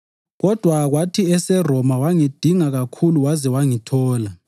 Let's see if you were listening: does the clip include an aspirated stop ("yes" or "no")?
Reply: yes